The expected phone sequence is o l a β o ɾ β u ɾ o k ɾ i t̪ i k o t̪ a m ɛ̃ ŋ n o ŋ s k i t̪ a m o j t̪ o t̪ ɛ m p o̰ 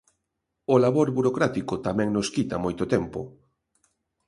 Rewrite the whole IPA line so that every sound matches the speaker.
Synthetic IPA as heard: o l a β o ɾ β u ɾ o k ɾ a t̪ i k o t̪ a m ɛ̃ ŋ n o s k i t̪ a m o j t̪ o t̪ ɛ m p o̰